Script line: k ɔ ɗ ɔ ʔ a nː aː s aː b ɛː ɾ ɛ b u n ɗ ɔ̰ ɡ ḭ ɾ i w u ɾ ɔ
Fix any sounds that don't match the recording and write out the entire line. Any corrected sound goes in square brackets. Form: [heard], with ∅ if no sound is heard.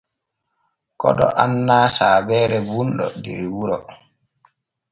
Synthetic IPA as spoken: k ɔ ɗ ɔ ʔ a nː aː s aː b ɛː ɾ ɛ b u n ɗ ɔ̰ [d] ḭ ɾ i w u ɾ ɔ